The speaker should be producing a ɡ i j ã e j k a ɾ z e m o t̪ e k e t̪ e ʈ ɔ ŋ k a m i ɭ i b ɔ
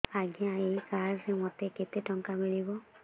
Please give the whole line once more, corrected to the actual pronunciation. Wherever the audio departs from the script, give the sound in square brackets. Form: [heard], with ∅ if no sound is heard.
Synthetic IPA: a ɡ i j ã e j k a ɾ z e m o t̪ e k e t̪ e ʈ ɔ ŋ k a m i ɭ i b ɔ